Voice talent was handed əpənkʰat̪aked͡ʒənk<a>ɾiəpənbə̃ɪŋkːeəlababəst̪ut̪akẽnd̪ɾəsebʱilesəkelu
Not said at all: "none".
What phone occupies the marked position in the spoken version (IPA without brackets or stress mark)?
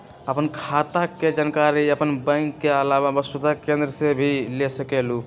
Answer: a